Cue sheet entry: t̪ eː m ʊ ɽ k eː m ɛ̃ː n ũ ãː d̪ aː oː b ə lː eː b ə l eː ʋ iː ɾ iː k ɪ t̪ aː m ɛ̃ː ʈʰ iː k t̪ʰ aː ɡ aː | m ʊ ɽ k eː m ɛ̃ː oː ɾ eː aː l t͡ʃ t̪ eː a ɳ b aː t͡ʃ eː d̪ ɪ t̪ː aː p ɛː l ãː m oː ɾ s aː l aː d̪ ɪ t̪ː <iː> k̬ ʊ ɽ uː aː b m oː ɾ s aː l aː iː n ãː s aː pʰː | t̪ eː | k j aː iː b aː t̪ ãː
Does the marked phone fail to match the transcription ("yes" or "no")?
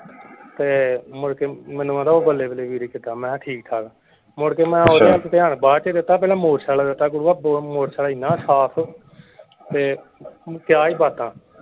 yes